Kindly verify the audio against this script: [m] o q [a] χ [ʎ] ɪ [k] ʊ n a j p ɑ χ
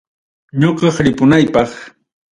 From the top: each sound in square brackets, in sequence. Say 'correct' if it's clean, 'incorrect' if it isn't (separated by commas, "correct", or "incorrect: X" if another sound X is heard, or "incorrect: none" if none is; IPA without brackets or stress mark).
incorrect: ɲ, incorrect: ɑ, incorrect: ɾ, incorrect: p